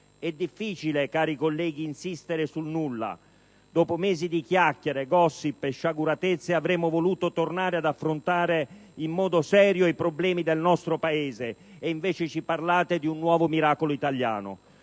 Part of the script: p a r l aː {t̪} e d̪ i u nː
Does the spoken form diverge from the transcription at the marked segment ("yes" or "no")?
no